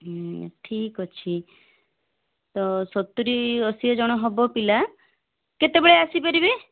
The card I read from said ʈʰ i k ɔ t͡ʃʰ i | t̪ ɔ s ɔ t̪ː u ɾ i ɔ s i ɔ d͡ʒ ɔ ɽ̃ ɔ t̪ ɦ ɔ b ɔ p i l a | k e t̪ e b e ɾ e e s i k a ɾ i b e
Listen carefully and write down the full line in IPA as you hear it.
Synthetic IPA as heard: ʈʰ i k ɔ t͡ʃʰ i | t̪ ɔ s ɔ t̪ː u ɾ i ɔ s i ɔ d͡ʒ ɔ ɽ̃ ɔ ɦ ɔ b ɔ p i l a | k e t̪ e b e ɭ e a s i p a ɾ i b e

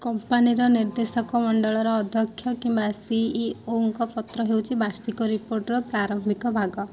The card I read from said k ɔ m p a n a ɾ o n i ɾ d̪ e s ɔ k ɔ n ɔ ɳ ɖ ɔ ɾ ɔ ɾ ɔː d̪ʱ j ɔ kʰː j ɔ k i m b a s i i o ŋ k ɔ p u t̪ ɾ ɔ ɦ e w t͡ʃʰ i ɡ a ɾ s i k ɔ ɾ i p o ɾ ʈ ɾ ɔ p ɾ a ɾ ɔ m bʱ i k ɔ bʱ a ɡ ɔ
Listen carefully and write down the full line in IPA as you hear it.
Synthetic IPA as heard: k ɔ m p a n i ɾ ɔ n i ɾ d̪ e s ɔ k ɔ m ɔ ɳ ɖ ɔ ɭ ɔ ɾ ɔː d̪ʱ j ɔ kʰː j ɔ k i m b a s i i o ŋ k ɔ p ɔ t̪ ɾ ɔ ɦ e w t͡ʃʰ i b a ɾ s i k ɔ ɾ i p o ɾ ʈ ɾ ɔ p ɾ a ɾ ɔ m bʱ i k ɔ bʱ a ɡ ɔ

